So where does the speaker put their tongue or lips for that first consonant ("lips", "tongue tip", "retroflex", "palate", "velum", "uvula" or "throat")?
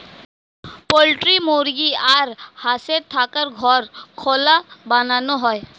lips